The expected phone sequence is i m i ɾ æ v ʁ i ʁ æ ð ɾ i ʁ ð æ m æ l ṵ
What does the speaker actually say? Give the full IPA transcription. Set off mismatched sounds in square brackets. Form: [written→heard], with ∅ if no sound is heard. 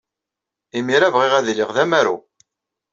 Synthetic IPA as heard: i m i ɾ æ v ʁ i ʁ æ ð [ɾ→l] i ʁ ð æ m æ [l→ɾ] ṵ

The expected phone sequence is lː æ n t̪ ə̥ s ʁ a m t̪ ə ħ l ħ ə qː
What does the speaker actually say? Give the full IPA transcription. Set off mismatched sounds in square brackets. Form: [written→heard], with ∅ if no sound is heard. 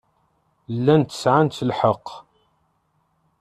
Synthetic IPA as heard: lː æ n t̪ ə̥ s [ʁ→ʕ] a [m→n] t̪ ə [ħ→∅] l ħ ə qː

